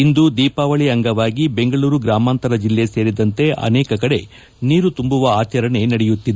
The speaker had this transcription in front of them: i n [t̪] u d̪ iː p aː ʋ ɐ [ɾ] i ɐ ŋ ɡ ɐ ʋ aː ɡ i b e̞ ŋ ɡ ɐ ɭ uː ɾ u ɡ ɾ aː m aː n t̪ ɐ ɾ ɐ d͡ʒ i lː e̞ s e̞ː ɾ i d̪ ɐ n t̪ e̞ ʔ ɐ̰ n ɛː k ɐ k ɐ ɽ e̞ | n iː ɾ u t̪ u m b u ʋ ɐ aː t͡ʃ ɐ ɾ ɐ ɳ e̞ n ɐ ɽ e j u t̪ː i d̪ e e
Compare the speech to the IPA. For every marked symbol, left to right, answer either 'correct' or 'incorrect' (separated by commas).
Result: incorrect, incorrect